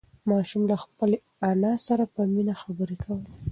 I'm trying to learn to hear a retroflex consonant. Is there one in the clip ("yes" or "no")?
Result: no